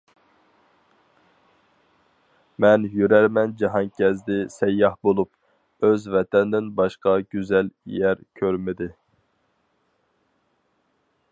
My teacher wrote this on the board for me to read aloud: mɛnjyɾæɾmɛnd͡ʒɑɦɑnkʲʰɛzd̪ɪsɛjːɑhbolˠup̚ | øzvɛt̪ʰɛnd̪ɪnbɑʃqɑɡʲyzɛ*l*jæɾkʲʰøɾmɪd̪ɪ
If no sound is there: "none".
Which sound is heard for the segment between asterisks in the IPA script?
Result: l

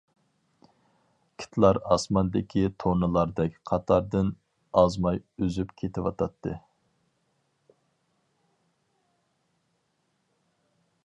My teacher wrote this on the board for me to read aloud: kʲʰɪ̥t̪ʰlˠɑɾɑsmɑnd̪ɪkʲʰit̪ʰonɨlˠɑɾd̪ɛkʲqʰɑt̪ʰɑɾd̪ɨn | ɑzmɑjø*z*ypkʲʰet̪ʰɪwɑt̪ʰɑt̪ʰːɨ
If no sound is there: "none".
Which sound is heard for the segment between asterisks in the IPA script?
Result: z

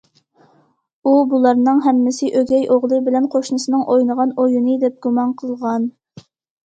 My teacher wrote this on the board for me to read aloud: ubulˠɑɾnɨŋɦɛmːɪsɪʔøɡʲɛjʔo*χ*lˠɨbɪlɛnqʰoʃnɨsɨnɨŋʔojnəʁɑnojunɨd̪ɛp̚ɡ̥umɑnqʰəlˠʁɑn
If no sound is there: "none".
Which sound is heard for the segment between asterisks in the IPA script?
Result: ʁ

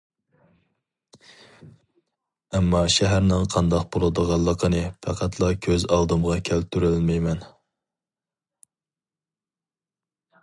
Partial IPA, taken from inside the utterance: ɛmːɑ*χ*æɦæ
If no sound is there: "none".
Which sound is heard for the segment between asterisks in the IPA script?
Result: ʃ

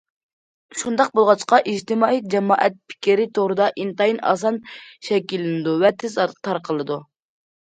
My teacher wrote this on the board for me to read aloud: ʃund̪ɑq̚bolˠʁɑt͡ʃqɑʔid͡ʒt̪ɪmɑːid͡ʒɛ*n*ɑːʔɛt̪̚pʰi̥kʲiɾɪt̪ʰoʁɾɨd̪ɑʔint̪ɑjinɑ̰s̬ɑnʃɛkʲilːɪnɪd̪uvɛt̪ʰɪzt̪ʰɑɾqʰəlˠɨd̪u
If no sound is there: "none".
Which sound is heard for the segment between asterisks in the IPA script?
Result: m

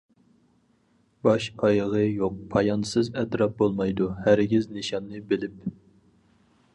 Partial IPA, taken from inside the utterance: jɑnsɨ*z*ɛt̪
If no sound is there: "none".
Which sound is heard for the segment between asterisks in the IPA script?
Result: z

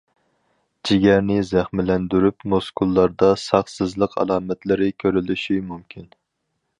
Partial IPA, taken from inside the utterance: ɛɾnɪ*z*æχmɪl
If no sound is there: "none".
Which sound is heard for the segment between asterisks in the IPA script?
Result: z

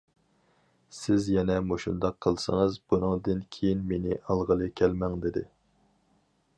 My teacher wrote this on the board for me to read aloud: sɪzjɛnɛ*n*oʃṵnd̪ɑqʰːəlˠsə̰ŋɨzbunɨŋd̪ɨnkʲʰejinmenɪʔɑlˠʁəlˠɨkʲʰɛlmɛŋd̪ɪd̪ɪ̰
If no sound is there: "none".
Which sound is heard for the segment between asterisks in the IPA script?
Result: m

